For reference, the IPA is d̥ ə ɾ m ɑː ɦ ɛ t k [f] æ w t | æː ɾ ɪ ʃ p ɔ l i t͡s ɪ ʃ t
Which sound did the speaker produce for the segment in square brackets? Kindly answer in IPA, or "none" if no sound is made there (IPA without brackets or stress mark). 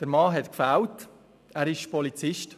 f